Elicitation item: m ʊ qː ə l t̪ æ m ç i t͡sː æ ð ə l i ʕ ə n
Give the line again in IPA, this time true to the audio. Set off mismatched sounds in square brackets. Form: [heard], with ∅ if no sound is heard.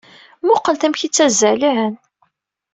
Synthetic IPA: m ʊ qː ə l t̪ æ m ç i t͡sː æ [z] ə l i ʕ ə n